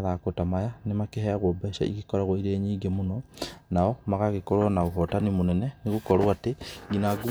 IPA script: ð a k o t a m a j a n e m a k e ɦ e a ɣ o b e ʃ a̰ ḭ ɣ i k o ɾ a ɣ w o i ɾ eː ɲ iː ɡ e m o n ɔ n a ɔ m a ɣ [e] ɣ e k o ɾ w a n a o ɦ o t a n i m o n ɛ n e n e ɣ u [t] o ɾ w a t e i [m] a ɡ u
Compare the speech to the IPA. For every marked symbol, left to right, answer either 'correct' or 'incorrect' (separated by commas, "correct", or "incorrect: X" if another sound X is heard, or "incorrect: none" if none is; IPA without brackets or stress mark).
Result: incorrect: a, incorrect: k, incorrect: n